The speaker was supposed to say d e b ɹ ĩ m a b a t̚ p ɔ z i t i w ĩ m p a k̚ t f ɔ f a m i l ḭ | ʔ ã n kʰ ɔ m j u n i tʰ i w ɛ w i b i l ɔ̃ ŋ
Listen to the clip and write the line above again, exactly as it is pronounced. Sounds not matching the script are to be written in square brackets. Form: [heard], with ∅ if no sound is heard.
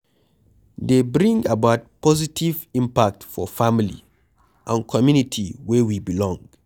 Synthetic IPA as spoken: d e b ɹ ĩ [ŋ] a b a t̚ p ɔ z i t i [v] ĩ m p a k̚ t f ɔ f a m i l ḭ | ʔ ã n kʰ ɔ m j u n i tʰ i w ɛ w i b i l ɔ̃ ŋ